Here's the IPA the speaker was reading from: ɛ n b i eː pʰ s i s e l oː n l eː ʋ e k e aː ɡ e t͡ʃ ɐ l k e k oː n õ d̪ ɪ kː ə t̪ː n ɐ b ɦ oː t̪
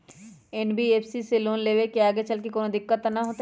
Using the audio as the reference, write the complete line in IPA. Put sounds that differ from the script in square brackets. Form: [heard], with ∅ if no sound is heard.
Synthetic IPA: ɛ n b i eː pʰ s i s e l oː n l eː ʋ e k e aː ɡ e t͡ʃ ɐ l k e k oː n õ d̪ ɪ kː ə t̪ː n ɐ [∅] ɦ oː t̪